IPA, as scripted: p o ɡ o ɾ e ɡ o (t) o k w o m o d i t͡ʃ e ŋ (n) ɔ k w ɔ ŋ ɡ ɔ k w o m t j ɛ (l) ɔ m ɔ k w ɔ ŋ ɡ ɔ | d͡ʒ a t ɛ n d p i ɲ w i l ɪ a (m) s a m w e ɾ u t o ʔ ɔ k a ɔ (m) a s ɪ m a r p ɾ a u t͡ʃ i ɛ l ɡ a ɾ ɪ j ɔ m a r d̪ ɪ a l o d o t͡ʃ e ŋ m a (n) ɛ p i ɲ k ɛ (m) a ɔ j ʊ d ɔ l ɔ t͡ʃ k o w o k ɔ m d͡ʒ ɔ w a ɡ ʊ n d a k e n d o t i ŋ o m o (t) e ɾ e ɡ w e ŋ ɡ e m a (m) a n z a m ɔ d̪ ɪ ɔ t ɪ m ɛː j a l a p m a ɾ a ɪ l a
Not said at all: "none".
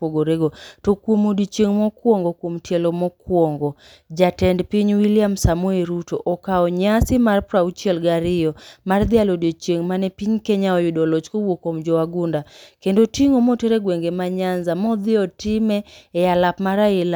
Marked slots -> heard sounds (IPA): t, m, l, m, ɲ, n, ɲ, t, ɲ

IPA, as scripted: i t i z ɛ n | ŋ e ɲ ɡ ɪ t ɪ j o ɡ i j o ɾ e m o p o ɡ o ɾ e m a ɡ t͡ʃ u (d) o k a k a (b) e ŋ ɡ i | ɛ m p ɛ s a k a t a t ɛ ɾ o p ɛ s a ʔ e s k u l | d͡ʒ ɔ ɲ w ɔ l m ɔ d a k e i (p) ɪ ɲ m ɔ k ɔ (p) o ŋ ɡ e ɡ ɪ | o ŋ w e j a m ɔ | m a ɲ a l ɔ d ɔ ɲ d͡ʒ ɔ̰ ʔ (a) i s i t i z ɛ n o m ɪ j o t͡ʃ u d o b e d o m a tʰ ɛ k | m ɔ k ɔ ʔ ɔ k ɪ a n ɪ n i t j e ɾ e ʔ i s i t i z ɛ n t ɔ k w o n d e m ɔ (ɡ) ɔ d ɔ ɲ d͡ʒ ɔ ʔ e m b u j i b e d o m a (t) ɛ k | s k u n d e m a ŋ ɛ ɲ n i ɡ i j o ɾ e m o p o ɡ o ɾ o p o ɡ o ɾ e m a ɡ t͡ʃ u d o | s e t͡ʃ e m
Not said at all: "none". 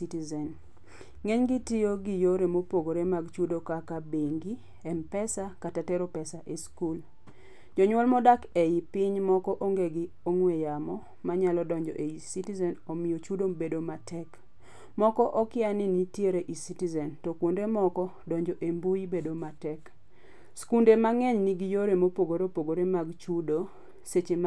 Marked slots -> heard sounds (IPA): d, b, p, ʔ, e, k, t

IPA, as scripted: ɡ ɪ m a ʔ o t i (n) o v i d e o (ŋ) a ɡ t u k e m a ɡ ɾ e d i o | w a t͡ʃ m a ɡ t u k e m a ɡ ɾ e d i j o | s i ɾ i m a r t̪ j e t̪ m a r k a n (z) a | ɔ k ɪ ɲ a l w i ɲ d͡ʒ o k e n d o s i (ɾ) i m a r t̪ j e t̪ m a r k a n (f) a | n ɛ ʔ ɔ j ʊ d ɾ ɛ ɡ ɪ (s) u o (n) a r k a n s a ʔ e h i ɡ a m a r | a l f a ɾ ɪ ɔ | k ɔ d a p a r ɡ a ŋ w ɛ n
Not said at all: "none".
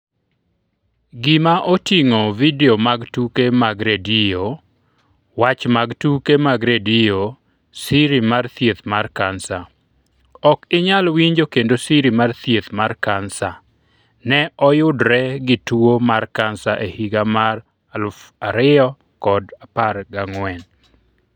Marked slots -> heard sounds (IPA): ŋ, m, s, ɾ, s, t, m

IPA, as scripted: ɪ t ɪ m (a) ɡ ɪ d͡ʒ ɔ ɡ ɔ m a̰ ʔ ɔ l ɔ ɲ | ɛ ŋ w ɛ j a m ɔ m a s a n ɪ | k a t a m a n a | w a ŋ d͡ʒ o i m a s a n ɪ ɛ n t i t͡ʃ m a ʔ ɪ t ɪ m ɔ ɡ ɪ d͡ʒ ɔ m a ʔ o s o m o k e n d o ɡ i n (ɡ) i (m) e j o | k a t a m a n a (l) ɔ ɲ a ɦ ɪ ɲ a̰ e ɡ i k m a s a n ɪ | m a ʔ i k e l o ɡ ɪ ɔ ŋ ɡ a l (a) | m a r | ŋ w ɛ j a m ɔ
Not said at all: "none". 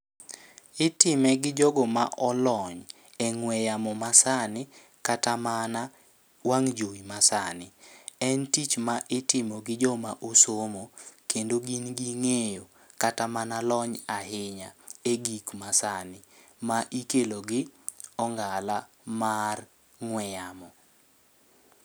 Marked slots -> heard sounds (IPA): ɛ, ɡ, ŋ, l, a

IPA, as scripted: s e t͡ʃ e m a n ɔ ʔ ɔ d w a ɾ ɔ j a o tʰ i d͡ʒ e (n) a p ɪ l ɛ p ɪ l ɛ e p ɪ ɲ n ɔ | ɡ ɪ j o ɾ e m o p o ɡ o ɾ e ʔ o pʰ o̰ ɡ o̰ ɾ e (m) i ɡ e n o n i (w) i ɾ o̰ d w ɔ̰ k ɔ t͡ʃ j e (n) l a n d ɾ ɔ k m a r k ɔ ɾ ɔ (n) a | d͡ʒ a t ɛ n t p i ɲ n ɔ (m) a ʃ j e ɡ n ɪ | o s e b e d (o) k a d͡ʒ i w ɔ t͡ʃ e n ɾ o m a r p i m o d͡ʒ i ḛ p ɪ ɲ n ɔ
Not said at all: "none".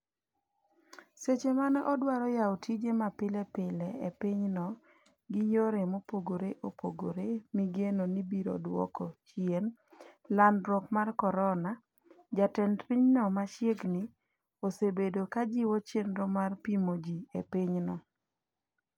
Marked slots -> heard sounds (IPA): m, m, b, n, n, m, o

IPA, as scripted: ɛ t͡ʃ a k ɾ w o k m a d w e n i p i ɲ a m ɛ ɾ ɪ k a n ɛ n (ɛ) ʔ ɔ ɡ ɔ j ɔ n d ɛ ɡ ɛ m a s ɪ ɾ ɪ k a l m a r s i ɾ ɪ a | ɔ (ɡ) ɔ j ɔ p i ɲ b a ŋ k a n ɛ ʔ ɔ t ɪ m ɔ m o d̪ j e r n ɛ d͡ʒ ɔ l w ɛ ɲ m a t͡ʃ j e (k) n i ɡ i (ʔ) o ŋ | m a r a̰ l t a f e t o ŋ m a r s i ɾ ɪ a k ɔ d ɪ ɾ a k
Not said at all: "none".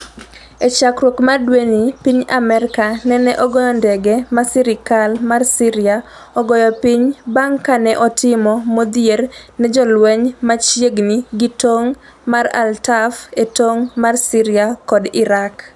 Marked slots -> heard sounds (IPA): ɛ, ɡ, ɡ, t

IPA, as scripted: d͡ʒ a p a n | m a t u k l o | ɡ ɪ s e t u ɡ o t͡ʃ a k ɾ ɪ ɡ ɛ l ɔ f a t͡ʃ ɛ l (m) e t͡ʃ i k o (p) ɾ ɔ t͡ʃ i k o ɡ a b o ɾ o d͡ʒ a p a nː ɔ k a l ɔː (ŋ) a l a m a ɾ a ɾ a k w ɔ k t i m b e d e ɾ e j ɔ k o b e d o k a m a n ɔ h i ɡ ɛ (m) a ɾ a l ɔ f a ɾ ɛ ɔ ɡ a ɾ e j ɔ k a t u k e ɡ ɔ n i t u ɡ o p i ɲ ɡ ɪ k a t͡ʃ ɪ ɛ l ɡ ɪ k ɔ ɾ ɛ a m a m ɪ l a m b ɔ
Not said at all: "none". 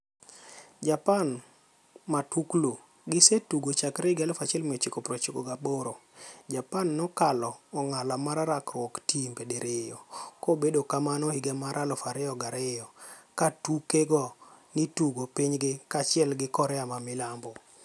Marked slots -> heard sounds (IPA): m, p, ŋ, m

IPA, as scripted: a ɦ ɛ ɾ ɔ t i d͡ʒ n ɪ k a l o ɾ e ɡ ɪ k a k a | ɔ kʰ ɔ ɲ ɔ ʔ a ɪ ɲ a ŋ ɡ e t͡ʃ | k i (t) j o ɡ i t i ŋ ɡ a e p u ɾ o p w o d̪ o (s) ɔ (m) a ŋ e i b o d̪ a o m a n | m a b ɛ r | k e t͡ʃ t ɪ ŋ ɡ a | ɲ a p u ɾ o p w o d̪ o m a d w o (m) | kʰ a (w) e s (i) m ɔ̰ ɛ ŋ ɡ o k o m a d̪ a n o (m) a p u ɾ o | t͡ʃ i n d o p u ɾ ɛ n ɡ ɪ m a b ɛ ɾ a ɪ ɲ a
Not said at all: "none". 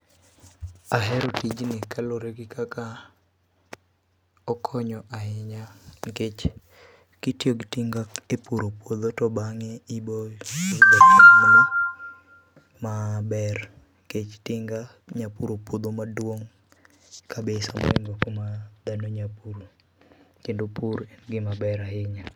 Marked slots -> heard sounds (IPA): t, t, b, ŋ, b, a, ɲ

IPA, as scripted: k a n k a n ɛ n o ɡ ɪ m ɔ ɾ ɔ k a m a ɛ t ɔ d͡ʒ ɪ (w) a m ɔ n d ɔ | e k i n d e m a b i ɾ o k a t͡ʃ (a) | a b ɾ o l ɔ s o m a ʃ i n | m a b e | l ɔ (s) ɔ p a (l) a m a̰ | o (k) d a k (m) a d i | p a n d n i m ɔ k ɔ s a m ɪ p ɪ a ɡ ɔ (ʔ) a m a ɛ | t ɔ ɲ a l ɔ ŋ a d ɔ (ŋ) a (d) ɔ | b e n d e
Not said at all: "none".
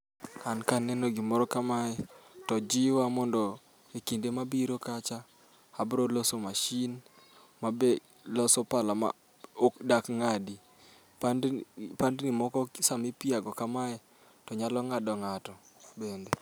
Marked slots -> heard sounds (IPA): w, a, s, l, k, ŋ, k, ŋ, t

